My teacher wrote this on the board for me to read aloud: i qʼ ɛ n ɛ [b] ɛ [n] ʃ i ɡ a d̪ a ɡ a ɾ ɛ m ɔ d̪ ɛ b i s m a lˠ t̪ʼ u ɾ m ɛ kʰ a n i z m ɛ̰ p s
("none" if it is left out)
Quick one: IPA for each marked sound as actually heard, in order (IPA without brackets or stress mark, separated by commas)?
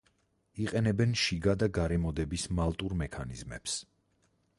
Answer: b, n